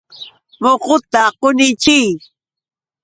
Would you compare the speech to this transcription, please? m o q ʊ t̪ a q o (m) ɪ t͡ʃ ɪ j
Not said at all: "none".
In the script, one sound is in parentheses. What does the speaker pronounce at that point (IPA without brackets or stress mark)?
n